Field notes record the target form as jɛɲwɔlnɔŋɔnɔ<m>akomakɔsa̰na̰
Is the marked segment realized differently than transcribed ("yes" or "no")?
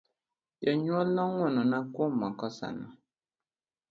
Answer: yes